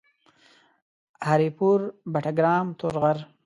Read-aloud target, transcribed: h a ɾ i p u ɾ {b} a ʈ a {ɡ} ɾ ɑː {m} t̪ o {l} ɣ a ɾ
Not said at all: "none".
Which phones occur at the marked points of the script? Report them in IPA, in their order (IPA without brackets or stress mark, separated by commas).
b, ɡ, m, ɾ